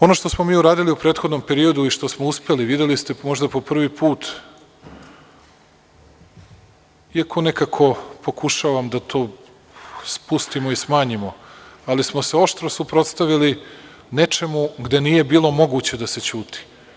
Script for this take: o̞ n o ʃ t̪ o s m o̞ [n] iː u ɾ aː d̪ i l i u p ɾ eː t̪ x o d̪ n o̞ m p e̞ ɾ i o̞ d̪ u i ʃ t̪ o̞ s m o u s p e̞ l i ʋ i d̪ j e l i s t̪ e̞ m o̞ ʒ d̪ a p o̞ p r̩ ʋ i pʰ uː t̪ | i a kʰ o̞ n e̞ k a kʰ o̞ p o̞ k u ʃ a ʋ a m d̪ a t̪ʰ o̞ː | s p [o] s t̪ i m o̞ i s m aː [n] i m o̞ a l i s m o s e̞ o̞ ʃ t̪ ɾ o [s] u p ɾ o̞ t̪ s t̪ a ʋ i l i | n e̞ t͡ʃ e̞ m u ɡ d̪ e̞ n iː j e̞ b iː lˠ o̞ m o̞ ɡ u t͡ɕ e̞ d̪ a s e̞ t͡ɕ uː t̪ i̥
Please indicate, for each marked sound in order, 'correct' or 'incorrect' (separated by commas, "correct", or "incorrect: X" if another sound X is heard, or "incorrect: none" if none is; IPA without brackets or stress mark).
incorrect: m, incorrect: u, incorrect: ɲ, correct